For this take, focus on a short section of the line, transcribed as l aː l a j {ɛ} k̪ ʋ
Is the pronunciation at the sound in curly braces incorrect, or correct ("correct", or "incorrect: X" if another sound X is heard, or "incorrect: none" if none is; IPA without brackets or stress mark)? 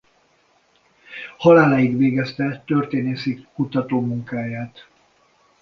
incorrect: i